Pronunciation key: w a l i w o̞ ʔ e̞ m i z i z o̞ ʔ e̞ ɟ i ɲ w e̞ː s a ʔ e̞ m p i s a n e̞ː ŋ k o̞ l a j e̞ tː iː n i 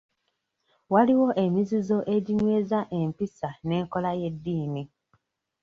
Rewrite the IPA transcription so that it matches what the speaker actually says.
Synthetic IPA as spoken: w a l i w o̞ ʔ e̞ m i z i z o̞ ʔ e̞ ɟ i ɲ w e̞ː z a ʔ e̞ m p i s a n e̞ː ŋ k o̞ l a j e̞ dː iː n i